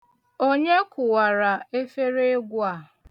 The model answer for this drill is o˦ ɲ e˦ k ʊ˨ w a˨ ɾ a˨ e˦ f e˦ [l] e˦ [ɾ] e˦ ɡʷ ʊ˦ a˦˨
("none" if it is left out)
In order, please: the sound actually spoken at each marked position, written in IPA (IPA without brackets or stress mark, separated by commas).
ɾ, none